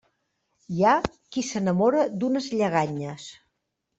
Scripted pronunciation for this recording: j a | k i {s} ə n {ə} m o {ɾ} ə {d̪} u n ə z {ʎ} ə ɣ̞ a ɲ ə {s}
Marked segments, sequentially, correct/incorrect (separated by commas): correct, correct, correct, correct, correct, correct